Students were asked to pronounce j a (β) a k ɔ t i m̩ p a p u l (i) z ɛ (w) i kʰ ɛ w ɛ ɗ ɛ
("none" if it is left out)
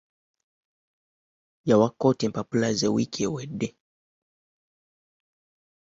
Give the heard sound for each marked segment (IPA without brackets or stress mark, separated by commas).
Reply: w, a, w